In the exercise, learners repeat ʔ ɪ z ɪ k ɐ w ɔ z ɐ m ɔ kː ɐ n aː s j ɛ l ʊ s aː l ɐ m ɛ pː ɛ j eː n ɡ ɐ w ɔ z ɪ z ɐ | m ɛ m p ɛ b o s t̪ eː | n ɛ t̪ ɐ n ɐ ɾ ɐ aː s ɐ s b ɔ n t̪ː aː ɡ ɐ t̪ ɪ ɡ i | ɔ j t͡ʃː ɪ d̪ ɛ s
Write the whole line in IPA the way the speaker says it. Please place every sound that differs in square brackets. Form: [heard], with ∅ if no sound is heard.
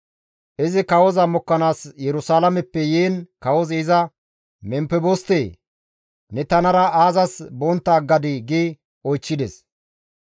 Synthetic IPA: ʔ ɪ z ɪ k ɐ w ɔ z ɐ m ɔ kː ɐ n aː s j ɛ [ɾ] ʊ s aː l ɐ m ɛ pː ɛ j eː n [k] ɐ w ɔ z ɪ z ɐ | m ɛ m p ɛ b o s t̪ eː | n ɛ t̪ ɐ n ɐ ɾ ɐ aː [z] ɐ s b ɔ n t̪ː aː ɡ ɐ [d̪] ɪ ɡ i | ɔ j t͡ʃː ɪ d̪ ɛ s